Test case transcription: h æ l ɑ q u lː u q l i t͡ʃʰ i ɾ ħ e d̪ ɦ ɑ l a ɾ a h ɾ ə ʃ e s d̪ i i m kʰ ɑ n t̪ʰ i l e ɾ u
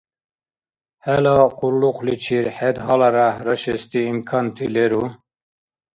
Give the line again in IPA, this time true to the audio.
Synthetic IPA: h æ l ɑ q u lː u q l i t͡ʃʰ i ɾ ħ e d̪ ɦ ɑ l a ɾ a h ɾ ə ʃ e s t̪ i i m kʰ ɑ n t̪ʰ i l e ɾ u